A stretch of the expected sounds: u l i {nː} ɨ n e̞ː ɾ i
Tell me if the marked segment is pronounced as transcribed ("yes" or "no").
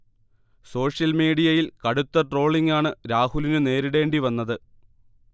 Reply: no